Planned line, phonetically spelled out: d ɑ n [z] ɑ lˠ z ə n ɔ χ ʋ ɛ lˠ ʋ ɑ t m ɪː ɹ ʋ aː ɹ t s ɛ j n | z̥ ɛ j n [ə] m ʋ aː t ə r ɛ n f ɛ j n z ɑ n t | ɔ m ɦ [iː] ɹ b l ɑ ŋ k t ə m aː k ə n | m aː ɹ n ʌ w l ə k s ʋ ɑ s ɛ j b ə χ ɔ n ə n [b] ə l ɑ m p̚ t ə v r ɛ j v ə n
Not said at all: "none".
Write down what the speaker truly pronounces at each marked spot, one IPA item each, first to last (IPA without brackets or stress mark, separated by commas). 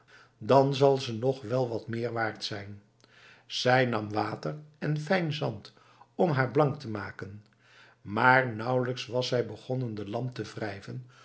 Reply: z, ɑ, aː, d